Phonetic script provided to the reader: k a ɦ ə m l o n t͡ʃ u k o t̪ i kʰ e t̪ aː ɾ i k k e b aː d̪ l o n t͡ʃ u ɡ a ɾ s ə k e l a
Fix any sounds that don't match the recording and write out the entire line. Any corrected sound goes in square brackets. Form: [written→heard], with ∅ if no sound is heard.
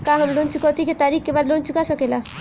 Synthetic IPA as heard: k a ɦ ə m l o n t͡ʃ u k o t̪ i [kʰ→k] e t̪ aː ɾ i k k e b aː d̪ l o n t͡ʃ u [ɡ→k] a [ɾ→∅] s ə k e l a